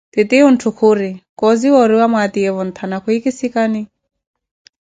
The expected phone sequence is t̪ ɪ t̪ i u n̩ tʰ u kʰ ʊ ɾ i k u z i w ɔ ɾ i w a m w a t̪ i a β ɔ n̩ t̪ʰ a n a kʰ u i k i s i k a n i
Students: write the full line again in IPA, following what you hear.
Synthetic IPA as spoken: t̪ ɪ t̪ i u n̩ tʰ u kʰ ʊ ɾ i k ɔ z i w ɔ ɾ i w a m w a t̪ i ɛ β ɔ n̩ t̪ʰ a n a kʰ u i k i s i k a n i